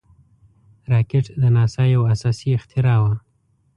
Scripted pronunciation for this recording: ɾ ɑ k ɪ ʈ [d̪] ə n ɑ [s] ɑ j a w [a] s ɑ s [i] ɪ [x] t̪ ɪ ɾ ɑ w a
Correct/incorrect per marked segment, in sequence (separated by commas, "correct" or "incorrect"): correct, correct, correct, correct, correct